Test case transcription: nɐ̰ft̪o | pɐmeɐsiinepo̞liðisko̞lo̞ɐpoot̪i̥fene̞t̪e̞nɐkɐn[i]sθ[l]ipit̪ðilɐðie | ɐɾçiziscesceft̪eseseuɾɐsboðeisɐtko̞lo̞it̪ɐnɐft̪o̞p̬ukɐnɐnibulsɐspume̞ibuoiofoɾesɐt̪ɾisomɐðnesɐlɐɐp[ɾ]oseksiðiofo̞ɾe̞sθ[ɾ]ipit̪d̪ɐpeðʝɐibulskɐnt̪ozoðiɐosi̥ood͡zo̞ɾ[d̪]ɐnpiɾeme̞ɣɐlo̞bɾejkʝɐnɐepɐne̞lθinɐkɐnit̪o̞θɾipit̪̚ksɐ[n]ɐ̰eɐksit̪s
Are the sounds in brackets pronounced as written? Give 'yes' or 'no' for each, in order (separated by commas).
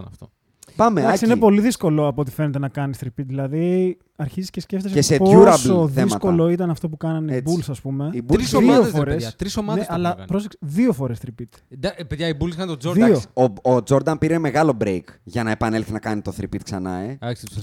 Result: yes, no, yes, yes, yes, yes